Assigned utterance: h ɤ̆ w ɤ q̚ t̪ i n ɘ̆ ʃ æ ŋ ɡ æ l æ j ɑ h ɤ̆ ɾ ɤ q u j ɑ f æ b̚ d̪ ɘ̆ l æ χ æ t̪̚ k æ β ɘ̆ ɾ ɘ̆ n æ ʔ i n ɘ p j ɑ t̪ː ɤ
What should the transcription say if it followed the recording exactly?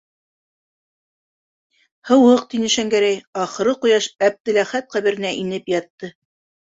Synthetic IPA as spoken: h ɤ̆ w ɤ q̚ t̪ i n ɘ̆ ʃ æ ŋ ɡ æ ɾ æ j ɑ χ ɤ̆ ɾ ɤ q u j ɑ ʃ æ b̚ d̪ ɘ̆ l æ χ æ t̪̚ q æ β ɘ̆ ɾ ɘ̆ n æ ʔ i n ɘ p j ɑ t̪ː ɤ